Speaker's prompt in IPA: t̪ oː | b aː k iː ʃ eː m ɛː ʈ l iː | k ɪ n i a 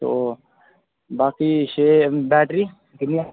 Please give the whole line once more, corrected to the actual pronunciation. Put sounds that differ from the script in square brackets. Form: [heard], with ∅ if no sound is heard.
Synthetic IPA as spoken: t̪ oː | b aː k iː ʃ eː [b] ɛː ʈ [ɾ] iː | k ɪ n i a